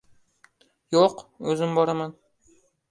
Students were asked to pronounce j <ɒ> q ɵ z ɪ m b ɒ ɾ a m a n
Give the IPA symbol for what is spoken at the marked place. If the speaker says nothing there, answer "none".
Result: o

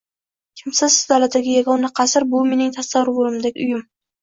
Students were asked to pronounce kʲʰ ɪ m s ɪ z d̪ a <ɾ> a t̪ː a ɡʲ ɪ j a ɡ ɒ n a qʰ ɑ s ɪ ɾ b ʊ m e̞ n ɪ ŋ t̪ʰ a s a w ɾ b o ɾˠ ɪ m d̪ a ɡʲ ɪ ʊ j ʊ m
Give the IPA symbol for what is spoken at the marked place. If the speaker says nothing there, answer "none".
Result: l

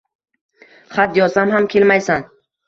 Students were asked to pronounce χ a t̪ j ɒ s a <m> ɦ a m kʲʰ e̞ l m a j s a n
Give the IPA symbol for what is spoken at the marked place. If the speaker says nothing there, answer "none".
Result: m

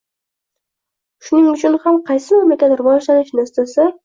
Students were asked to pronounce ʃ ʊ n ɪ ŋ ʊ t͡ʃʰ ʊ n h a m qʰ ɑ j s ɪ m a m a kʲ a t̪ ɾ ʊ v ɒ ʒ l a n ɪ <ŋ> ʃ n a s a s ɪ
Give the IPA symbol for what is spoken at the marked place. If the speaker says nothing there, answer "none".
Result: none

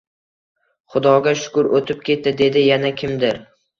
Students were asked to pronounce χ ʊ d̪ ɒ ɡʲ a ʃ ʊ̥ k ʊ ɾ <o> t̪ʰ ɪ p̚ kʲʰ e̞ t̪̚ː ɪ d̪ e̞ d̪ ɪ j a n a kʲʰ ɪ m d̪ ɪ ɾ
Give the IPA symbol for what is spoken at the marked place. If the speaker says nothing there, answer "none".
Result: o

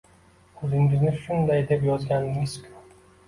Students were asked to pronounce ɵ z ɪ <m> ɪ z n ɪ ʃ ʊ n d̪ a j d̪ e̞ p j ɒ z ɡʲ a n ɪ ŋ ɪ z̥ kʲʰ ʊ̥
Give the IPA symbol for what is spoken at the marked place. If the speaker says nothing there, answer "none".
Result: ŋ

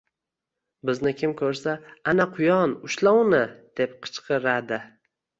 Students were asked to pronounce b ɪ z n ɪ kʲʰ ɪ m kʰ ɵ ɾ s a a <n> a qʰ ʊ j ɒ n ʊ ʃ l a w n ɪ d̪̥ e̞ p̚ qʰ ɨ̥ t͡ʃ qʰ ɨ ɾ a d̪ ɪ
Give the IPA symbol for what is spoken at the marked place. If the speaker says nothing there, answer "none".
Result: n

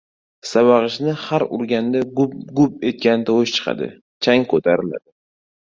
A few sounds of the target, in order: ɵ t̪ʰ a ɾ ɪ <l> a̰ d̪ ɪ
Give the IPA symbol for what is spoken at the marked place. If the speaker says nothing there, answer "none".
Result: l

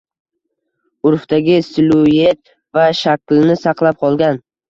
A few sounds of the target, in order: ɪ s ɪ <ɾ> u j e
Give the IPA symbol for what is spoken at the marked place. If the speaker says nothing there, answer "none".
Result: l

